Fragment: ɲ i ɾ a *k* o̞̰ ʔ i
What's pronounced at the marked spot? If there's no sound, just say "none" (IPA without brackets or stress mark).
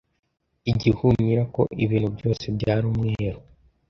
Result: k